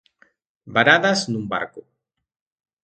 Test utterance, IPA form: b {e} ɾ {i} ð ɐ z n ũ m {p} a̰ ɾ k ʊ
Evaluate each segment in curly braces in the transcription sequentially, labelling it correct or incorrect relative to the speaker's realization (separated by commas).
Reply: incorrect, incorrect, incorrect